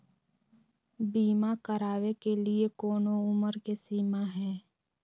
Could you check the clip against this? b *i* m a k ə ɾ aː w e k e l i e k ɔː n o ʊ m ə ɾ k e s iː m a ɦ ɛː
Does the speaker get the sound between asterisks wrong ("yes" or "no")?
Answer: yes